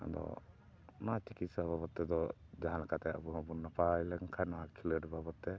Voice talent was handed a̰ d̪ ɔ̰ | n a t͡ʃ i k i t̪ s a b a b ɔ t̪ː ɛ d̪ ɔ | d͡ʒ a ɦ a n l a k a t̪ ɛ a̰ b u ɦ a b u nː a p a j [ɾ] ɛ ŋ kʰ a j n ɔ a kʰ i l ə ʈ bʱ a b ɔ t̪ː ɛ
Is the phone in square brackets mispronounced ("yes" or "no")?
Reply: yes